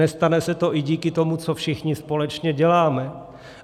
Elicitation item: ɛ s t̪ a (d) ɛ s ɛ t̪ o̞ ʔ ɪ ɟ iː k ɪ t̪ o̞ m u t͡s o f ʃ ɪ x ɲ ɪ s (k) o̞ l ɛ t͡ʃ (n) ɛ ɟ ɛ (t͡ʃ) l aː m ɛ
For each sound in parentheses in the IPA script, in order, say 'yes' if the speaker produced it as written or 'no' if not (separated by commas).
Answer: no, no, no, no